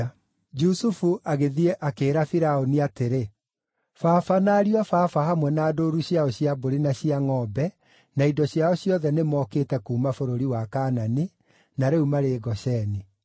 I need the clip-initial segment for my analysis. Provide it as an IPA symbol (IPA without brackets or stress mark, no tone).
d͡ʒ